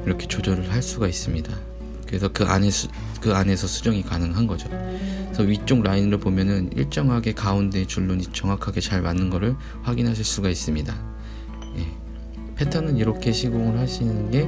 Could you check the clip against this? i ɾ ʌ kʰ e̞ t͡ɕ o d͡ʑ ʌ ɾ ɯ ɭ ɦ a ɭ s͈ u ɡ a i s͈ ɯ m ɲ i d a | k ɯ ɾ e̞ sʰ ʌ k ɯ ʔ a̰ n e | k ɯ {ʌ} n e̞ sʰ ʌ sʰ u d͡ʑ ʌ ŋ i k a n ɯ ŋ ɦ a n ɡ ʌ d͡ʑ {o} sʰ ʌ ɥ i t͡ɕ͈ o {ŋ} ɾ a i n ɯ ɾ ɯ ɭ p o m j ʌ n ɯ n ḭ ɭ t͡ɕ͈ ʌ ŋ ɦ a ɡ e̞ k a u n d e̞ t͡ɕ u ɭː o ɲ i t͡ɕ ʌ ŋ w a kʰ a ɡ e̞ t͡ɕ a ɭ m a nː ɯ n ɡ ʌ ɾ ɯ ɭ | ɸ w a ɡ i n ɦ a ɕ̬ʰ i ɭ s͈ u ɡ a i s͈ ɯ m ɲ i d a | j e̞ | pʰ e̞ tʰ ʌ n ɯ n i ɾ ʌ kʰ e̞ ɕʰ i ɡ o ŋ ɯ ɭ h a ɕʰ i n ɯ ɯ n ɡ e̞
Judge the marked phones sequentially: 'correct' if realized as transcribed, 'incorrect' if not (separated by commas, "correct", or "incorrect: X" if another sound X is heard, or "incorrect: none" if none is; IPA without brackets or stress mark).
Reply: incorrect: a, correct, correct